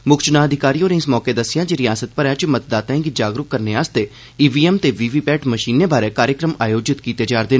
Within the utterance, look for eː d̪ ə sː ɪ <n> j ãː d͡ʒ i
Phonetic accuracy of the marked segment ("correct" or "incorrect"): incorrect